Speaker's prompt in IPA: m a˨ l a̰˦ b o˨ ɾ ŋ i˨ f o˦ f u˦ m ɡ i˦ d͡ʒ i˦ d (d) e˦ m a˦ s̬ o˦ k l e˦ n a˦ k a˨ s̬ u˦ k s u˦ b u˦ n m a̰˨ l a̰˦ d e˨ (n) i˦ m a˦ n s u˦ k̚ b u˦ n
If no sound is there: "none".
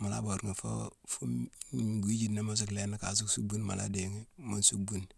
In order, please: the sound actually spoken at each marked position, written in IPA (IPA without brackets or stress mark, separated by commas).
n, ŋ